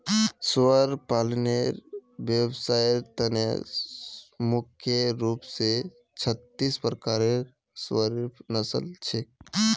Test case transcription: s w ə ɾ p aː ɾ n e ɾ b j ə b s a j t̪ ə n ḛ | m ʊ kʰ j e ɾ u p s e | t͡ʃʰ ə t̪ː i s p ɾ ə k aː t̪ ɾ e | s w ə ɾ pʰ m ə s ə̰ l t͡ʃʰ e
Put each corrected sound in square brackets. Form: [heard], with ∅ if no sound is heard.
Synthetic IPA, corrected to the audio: s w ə ɾ p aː [l] n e ɾ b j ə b s a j t̪ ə n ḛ | m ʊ kʰ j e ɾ u p s e | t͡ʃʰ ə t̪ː i s p ɾ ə k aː [∅] ɾ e | s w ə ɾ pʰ [n] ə s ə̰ l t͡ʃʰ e